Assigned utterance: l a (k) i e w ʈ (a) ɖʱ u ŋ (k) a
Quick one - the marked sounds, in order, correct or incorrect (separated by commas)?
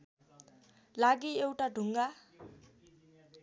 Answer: incorrect, correct, incorrect